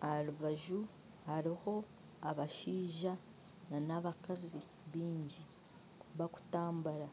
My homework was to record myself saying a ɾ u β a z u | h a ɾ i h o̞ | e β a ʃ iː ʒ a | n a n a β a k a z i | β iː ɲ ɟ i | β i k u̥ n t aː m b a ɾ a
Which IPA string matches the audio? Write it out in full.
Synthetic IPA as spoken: a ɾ u β a ʒ u | h a ɾ i h o̞ | a β a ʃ iː ʒ a | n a n a β a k a z i | β iː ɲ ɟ i | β a k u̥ t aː m b a ɾ a